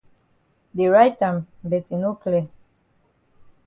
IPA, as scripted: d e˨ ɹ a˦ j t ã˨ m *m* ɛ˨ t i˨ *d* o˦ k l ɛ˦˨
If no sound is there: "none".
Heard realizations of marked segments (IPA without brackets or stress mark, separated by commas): b, n